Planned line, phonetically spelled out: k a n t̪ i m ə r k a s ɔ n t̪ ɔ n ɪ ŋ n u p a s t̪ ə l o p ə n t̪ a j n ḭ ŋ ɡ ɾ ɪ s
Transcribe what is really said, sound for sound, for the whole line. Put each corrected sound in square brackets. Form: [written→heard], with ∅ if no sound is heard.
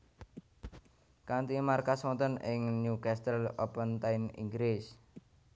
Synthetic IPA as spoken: k a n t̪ i m [ə→a] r k a s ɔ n t̪ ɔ n ɪ ŋ n u [p→k] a s t̪ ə l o p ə n t̪ a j n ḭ ŋ ɡ ɾ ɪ s